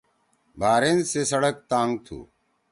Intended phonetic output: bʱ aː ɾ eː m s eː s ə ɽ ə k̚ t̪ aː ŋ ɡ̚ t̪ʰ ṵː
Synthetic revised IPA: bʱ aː ɾ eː n s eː s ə ɽ ə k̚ t̪ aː ŋ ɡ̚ t̪ʰ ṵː

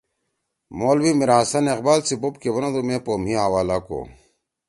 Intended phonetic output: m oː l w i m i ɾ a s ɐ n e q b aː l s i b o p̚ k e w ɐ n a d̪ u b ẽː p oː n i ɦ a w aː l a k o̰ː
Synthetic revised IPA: m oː l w i m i ɾ a s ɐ n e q b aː l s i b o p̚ k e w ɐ n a d̪ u m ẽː p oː m i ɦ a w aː l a k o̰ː

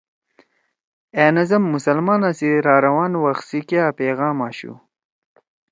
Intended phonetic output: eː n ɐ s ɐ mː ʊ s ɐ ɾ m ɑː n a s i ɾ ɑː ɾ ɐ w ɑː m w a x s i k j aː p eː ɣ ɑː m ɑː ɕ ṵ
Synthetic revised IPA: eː n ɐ z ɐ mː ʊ s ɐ l m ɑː n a s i ɾ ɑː ɾ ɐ w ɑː n w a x s i k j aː p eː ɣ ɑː m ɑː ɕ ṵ

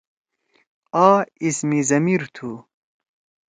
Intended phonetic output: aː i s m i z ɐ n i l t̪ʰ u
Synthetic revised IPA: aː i s m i z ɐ m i ɾ t̪ʰ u

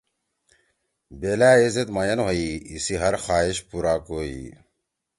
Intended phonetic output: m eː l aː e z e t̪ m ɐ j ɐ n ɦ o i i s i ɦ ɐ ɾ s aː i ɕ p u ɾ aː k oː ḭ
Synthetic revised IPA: b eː l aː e z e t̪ m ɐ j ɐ n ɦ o i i s i ɦ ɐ ɾ x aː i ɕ p u ɾ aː k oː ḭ

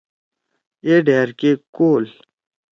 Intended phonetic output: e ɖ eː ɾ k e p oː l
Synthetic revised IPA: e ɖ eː ɾ k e k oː l

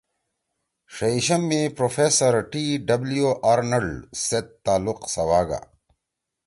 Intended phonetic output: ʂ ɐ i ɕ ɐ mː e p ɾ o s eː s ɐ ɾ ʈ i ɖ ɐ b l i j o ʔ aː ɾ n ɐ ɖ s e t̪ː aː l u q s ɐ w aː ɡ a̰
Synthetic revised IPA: ʂ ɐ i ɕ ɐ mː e p ɾ o f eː s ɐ ɾ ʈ i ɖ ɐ b l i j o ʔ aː ɾ n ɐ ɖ s e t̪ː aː l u q s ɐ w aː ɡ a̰

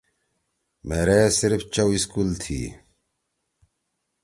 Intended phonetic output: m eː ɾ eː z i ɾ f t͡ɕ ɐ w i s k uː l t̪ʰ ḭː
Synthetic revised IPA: m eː ɾ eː s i ɾ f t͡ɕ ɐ w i s k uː l t̪ʰ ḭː

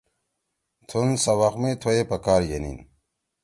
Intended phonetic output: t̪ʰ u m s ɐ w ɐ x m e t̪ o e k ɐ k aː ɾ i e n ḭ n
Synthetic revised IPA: t̪ʰ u n s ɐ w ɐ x m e t̪ʰ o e p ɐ k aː ɾ j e n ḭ n

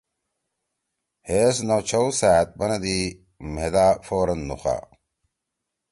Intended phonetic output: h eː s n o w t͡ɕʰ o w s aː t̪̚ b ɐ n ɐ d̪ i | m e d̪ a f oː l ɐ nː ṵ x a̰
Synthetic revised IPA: h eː s n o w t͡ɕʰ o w s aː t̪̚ b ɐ n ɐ d̪ i | m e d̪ a f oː ɾ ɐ nː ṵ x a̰

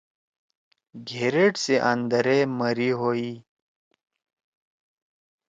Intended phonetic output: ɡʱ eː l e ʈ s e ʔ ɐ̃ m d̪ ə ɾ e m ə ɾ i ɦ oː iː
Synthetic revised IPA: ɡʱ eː ɾ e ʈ s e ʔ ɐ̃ n d̪ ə ɾ e m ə ɾ i ɦ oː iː

